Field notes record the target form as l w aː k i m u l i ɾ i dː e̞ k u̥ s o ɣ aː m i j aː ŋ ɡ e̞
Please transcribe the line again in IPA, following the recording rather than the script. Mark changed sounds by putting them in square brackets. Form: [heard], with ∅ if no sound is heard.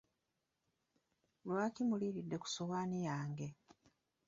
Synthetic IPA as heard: l w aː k i m u l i ɾ i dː e̞ k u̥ s o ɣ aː [n] i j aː ŋ ɡ e̞